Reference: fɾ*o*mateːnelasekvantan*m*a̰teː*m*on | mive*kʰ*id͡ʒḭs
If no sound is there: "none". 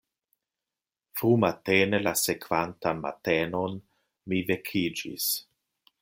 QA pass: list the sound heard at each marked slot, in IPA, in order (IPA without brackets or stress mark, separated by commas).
u, m, n, kʰ